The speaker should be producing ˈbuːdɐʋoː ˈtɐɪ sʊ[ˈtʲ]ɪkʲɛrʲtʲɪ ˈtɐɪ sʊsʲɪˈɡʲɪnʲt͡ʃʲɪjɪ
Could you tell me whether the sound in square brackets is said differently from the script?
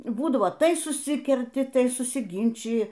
yes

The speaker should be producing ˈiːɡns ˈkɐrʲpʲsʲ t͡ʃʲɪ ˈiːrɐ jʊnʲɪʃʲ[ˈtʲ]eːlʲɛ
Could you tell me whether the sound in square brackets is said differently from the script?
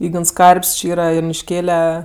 yes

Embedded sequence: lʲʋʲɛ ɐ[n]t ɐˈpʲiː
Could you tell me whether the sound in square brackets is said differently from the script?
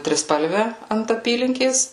no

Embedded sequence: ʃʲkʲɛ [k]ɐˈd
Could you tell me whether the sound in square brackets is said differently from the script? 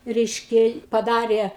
yes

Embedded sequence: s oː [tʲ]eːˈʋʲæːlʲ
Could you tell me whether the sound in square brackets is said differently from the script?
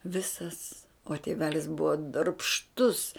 no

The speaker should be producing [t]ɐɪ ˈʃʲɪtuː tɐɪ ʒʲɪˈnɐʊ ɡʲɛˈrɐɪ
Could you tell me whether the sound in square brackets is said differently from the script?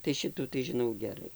no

